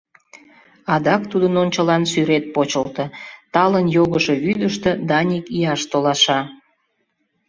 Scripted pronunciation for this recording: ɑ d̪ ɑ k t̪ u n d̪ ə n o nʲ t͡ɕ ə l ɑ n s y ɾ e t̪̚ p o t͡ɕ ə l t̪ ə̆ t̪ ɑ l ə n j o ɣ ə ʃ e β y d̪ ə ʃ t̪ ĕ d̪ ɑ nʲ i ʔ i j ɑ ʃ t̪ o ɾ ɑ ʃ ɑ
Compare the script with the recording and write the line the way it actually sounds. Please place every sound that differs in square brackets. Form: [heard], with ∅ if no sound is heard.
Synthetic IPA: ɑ d̪ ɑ k t̪ u [∅] d̪ ə n o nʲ t͡ɕ ə l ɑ n s y ɾ e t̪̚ p o t͡ɕ ə l t̪ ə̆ t̪ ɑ l ə n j o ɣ ə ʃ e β y d̪ ə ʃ t̪ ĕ d̪ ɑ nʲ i [k] i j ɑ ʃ t̪ o [l] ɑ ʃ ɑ